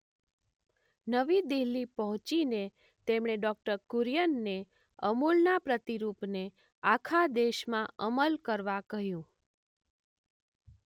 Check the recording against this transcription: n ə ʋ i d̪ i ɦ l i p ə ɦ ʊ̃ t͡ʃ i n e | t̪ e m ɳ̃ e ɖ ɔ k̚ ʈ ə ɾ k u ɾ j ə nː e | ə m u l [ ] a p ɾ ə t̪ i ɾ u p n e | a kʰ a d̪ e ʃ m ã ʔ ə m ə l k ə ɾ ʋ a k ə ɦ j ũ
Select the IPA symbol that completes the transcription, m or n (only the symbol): n